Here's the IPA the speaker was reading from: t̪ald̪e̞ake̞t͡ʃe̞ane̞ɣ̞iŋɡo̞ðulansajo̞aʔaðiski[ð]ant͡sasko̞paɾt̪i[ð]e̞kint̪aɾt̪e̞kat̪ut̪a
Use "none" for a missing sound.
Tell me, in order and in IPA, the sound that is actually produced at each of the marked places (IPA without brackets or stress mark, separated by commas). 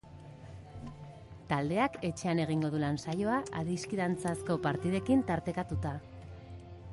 ð, ð